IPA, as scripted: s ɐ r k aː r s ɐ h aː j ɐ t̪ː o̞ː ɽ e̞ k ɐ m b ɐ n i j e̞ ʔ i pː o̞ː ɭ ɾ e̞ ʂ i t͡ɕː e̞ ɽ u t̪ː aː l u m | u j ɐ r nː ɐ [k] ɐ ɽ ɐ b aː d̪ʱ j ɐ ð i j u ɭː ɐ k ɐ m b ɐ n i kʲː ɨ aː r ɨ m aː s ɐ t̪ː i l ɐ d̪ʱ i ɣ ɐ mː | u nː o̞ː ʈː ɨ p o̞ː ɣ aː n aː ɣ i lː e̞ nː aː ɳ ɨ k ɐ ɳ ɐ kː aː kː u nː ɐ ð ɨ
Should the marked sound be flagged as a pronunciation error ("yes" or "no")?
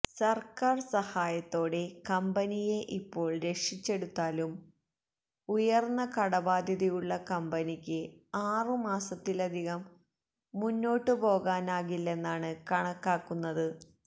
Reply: no